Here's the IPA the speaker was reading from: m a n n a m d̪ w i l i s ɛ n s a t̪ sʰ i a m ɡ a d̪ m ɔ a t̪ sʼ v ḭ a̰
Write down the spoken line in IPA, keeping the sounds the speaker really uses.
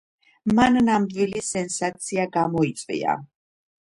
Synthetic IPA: m a n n a m d̪ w i l i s ɛ n s a t̪ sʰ i a ɡ a m ɔ i t̪ sʼ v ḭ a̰